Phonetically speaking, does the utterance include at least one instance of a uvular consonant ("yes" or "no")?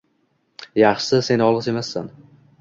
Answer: yes